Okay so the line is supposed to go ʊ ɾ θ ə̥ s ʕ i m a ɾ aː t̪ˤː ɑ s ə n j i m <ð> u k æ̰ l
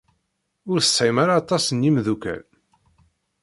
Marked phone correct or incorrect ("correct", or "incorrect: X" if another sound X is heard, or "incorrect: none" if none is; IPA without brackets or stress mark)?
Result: correct